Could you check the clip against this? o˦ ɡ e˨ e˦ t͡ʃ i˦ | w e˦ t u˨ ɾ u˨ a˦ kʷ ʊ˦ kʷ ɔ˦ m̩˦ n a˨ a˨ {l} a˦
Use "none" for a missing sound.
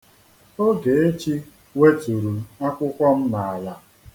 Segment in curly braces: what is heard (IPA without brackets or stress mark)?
l